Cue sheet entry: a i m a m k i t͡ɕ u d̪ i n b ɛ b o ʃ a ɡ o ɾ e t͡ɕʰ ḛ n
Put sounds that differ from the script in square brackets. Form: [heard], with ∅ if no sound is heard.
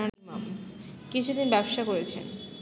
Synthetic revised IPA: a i m a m k i [t͡ɕʰ] u d̪ i n b ɛ b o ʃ a [k] o ɾ e t͡ɕʰ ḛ n